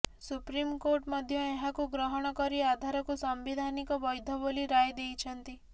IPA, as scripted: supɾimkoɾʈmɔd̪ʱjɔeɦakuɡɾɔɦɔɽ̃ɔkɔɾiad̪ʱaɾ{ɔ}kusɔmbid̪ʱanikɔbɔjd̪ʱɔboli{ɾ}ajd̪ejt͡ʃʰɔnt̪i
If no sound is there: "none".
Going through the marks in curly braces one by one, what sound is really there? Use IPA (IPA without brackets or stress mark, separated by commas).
ɔ, ɾ